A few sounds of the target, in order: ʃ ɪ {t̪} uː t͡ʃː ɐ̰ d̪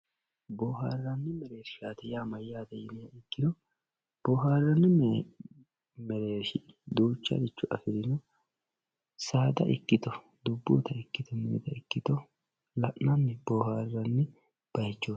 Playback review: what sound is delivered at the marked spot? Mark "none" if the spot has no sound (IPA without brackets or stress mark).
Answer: d̪